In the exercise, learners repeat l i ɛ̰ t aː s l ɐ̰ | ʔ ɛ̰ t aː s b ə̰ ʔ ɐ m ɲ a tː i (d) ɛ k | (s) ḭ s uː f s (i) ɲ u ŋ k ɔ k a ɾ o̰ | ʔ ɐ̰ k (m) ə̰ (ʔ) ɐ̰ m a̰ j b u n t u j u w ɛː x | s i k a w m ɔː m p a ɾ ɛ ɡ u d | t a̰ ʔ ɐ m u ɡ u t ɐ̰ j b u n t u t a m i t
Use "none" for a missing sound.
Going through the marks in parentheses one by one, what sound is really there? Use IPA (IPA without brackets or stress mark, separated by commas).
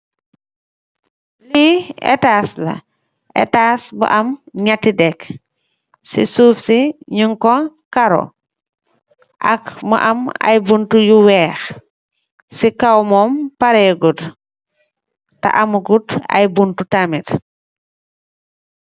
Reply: d, s, i, m, ʔ